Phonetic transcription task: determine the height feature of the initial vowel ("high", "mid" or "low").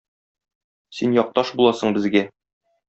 high